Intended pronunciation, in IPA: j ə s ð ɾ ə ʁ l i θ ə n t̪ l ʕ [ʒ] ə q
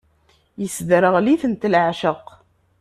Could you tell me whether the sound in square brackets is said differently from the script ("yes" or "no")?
yes